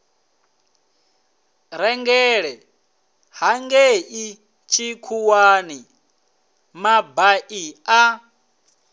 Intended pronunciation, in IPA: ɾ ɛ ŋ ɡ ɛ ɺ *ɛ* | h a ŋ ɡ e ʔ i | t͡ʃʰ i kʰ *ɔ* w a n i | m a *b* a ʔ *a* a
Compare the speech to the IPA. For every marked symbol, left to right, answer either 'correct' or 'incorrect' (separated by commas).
correct, incorrect, correct, incorrect